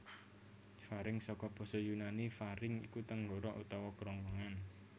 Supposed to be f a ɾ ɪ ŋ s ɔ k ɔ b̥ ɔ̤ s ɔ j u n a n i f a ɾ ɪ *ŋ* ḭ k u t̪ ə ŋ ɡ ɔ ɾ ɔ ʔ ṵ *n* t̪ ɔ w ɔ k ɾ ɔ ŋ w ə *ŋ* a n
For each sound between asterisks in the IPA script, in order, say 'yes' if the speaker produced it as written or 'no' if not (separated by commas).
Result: yes, no, yes